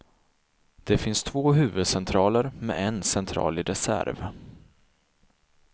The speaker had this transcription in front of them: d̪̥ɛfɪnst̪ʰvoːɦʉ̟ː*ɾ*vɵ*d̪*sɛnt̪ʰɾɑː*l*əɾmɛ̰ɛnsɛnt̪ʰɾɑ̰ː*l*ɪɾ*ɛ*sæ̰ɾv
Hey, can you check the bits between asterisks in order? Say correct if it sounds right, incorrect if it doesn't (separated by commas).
incorrect, correct, correct, correct, correct